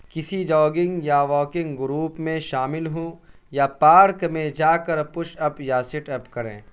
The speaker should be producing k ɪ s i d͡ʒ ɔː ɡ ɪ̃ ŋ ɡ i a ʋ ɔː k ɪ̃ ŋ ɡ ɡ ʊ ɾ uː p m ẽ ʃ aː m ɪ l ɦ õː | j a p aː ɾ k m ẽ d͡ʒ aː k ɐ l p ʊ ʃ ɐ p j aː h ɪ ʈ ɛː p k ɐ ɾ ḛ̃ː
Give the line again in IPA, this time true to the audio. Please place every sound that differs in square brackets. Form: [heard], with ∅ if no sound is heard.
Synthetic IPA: k ɪ s i d͡ʒ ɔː ɡ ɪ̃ ŋ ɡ [j] a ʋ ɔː k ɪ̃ ŋ ɡ ɡ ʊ ɾ uː p m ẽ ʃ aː m ɪ l ɦ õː | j a p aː ɾ k m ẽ d͡ʒ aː k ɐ [ɾ] p ʊ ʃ ɐ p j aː [s] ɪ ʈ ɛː p k ɐ ɾ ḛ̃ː